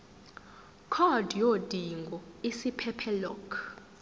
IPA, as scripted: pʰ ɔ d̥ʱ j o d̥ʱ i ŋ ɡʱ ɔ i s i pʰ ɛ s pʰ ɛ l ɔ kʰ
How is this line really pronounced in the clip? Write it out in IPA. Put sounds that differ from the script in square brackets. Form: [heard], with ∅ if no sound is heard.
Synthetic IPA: [kʰ] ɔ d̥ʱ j o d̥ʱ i ŋ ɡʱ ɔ i s i pʰ ɛ [∅] pʰ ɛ l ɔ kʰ